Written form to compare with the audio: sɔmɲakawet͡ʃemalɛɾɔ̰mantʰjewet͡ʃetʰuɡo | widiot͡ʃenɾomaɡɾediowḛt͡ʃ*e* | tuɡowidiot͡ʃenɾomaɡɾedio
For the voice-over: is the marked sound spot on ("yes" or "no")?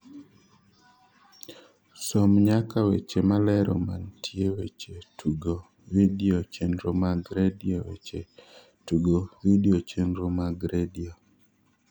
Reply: yes